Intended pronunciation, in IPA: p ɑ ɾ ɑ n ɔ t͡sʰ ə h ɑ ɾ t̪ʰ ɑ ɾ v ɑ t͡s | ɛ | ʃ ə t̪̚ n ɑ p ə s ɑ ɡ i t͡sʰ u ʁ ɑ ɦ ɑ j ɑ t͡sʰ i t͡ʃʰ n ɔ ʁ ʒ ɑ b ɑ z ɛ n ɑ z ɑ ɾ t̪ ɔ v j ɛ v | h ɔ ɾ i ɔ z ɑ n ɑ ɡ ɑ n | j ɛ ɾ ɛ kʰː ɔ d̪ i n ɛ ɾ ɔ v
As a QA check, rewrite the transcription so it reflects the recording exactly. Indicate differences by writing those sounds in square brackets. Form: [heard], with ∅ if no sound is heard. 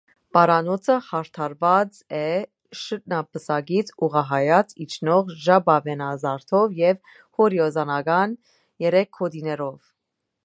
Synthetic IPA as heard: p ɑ ɾ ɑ n ɔ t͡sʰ ə h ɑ ɾ t̪ʰ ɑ ɾ v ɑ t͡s | ɛ | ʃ ə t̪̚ n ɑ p ə s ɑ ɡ i t͡sʰ u ʁ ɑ ɦ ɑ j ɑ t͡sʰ i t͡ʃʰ n ɔ ʁ ʒ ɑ b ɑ [v] ɛ n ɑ z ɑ ɾ [t̪ʰ] ɔ v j ɛ v | h ɔ ɾ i ɔ z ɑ n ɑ ɡ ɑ n | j ɛ ɾ ɛ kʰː ɔ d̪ i n ɛ ɾ ɔ v